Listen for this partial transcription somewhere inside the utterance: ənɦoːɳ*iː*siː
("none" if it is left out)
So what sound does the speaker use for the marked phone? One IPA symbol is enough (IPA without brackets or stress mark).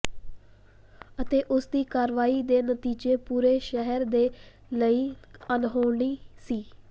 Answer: iː